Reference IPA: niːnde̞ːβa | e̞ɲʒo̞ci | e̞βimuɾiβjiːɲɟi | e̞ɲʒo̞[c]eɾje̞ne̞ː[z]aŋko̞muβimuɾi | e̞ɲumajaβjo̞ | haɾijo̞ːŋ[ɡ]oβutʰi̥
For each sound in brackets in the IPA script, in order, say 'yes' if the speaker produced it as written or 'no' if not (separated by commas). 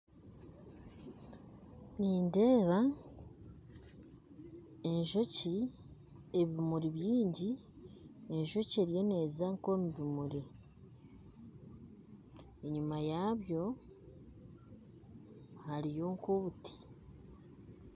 yes, yes, no